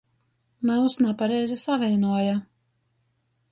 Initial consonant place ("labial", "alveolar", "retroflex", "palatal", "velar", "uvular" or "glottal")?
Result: labial